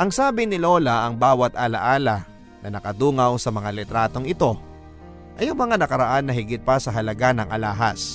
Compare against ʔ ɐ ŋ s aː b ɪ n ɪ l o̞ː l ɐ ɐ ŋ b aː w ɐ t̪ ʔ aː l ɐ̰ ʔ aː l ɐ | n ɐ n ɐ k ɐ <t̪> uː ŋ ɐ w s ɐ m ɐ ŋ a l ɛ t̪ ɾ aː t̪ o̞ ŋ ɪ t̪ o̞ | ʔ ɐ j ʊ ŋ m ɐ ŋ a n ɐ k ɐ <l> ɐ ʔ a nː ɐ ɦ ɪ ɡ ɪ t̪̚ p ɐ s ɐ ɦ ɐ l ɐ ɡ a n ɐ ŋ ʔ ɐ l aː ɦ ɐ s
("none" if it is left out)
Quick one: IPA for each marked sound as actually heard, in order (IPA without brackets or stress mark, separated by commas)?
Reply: d̪, ɾ